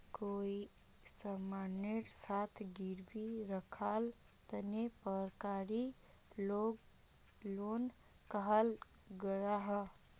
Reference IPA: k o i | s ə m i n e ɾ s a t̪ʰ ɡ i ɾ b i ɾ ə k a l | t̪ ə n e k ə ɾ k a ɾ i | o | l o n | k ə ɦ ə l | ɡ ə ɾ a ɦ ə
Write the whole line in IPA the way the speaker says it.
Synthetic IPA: k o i | s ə m a n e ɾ s a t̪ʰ ɡ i ɾ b i ɾ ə kʰ a l | t̪ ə n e p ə ɾ k a ɾ i | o | l o n | k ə ɦ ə l | ɡ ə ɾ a ɦ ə